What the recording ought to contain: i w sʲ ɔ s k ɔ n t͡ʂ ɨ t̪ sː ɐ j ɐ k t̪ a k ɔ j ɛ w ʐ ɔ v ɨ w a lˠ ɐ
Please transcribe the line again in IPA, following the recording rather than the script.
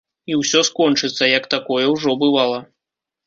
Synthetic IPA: i w sʲ ɔ s k ɔ n t͡ʂ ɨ t̪ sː ɐ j ɐ k t̪ a k ɔ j ɛ w ʐ ɔ b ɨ v a lˠ ɐ